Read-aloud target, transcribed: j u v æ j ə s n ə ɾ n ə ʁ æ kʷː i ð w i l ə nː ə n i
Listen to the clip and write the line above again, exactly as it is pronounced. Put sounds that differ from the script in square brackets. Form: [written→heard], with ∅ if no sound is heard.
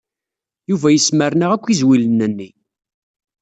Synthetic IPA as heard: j u v æ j ə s [n→m] ə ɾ n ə ʁ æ kʷː i [ð→z] w i l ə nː ə [n→nː] i